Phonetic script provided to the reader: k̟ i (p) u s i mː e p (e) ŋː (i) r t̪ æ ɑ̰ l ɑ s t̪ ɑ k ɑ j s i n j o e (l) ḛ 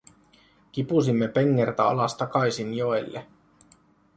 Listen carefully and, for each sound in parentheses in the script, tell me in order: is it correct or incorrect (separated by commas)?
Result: correct, correct, incorrect, incorrect